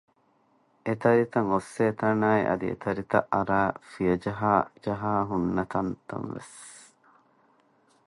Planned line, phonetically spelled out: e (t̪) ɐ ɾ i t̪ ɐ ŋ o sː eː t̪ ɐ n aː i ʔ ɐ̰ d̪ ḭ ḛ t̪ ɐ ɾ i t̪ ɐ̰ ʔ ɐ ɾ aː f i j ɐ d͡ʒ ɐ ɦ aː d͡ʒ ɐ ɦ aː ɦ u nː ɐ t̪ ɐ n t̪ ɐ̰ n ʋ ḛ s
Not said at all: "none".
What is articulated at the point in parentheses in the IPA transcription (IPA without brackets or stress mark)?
t̪